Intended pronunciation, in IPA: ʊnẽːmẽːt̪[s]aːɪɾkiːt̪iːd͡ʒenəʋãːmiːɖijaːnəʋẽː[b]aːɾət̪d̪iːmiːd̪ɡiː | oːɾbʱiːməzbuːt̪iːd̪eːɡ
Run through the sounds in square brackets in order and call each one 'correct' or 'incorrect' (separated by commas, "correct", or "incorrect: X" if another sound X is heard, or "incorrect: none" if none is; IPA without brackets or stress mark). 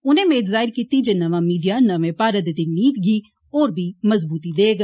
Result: incorrect: z, incorrect: p